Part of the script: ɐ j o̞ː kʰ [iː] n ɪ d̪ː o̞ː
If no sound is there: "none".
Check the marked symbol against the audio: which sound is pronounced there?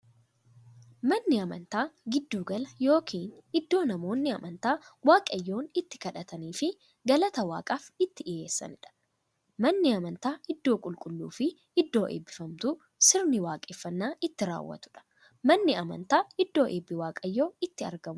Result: iː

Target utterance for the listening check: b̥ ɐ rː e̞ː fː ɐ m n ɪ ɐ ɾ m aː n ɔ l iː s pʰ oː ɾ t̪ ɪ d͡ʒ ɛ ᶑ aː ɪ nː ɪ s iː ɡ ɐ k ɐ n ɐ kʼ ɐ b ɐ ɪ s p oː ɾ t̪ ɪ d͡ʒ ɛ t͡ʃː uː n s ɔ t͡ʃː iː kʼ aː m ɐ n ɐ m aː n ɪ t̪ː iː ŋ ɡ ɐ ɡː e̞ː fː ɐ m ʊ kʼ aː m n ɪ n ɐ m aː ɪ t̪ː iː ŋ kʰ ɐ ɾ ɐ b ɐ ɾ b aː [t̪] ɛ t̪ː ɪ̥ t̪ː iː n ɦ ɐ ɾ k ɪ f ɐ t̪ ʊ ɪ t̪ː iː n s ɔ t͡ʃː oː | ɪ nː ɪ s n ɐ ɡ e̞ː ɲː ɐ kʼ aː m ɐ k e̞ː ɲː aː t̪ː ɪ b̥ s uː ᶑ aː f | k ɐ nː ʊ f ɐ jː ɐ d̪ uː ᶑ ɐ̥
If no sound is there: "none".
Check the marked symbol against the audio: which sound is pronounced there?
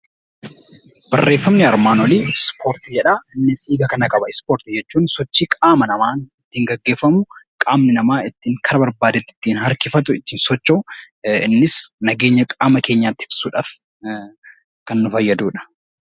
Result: d̪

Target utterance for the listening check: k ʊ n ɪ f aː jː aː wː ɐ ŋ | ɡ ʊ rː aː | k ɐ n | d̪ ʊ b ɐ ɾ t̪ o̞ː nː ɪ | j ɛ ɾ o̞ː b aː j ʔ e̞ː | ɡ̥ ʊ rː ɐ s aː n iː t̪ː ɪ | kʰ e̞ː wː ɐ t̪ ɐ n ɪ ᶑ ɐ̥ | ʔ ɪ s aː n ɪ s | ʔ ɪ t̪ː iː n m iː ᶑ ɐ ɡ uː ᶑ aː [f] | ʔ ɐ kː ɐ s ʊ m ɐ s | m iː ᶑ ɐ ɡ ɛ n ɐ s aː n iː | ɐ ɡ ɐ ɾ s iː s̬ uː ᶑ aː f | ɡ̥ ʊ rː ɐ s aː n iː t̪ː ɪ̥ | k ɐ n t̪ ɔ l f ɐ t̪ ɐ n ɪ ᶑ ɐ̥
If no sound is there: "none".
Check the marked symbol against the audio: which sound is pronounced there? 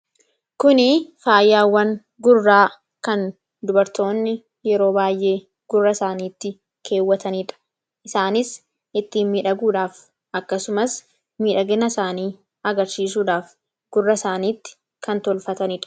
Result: f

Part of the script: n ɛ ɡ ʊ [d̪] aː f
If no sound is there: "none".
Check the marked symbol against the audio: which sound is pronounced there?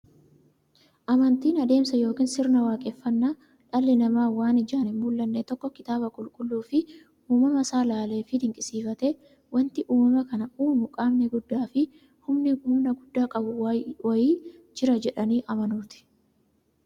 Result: d̪ː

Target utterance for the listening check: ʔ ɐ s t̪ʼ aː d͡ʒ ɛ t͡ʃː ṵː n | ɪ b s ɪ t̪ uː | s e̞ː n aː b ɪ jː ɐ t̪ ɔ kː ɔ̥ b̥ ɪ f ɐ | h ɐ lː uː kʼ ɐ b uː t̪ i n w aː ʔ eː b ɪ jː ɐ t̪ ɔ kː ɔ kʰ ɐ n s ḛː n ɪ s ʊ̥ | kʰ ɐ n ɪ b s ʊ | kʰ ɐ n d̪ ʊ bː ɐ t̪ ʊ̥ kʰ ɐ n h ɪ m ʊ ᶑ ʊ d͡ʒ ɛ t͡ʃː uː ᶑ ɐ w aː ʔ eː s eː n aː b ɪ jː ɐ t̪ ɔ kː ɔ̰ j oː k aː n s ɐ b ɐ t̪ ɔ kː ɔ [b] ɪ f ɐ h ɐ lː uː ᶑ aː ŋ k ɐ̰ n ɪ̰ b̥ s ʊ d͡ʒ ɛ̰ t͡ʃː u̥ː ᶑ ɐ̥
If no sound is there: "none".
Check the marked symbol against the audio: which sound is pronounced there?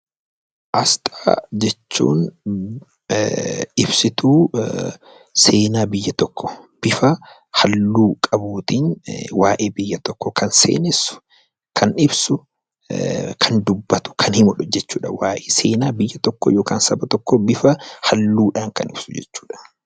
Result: b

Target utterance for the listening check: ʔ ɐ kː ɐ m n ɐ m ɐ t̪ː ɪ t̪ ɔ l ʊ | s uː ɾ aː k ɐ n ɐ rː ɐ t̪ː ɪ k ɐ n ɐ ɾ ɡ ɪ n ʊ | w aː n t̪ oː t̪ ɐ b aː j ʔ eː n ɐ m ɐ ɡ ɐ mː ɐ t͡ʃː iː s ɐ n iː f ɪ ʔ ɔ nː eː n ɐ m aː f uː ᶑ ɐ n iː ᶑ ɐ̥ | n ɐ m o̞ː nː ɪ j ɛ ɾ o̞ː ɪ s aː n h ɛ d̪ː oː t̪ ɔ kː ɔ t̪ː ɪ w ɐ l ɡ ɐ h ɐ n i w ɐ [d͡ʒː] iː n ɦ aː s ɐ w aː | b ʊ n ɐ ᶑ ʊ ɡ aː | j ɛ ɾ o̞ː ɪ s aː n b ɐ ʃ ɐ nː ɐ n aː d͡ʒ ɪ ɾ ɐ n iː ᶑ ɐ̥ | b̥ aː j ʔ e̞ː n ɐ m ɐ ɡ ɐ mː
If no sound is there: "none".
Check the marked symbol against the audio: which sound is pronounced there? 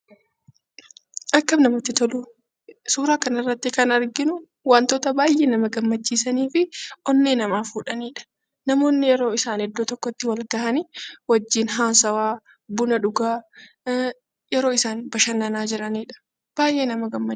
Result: d͡ʒː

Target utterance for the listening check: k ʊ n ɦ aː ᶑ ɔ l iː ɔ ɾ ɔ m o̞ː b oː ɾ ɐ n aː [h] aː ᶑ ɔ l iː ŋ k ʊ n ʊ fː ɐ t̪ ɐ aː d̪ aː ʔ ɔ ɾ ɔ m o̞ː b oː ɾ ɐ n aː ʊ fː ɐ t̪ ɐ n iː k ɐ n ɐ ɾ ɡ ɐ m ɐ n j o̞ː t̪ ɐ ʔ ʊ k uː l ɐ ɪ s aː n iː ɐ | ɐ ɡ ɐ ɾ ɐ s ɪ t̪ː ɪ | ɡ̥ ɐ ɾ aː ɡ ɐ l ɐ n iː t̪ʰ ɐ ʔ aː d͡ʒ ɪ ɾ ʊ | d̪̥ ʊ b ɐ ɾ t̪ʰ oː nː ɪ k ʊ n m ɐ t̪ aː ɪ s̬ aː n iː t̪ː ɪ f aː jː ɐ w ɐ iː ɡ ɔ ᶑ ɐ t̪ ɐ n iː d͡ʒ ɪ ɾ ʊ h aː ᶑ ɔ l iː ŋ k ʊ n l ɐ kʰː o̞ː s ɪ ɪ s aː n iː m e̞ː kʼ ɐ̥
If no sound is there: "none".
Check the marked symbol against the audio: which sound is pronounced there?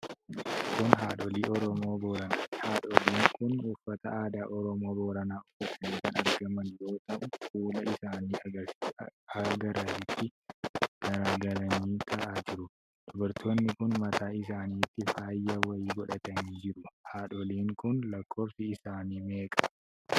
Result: h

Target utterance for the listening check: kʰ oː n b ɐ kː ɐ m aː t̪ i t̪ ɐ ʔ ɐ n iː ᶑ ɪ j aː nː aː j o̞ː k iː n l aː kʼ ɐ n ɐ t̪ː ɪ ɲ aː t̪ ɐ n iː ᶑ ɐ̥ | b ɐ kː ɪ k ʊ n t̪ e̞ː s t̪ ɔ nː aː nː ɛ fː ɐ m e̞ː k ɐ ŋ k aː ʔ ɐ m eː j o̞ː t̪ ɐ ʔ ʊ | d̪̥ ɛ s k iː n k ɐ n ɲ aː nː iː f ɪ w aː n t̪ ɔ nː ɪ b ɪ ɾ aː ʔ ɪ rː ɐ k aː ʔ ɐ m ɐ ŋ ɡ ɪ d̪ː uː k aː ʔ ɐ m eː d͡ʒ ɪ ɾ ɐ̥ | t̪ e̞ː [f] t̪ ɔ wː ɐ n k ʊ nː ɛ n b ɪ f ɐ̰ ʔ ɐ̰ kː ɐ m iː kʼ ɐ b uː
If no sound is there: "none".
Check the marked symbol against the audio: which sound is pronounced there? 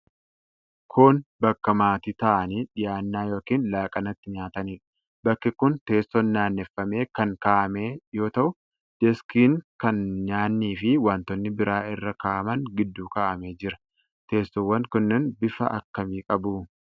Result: s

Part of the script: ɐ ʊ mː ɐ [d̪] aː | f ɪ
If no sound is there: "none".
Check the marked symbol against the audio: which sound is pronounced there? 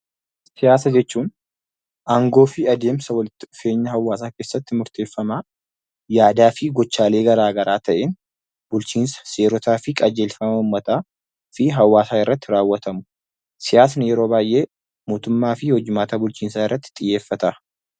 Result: t̪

